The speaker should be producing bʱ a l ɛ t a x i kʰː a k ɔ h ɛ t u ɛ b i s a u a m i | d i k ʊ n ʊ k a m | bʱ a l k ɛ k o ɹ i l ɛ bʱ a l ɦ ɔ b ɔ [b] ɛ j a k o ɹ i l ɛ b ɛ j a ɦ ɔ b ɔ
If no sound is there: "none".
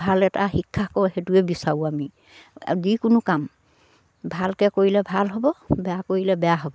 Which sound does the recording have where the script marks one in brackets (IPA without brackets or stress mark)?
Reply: b